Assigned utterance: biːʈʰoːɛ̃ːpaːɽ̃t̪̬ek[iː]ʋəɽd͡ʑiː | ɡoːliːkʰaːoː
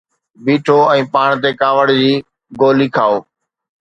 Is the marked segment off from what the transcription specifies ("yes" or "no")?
yes